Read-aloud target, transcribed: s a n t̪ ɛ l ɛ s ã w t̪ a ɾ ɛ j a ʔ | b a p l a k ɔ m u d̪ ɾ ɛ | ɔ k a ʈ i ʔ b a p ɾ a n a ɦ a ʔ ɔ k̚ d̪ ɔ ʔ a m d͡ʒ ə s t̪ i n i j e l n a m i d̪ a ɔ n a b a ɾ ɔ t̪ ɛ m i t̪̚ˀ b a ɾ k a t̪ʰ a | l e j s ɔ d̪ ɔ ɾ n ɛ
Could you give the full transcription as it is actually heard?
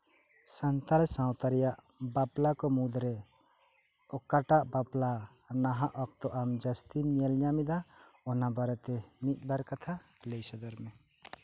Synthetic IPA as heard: s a n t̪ a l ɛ s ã w t̪ a ɾ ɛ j a ʔ | b a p l a k ɔ m u d̪ ɾ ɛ | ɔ k a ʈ a ʔ b a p l a n a ɦ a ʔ ɔ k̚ t̪ ɔ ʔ a m d͡ʒ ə s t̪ i n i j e l ɲ a m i d̪ a ɔ n a b a ɾ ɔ t̪ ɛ m i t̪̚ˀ b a ɾ k a t̪ʰ a | l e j s ɔ d̪ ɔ ɾ m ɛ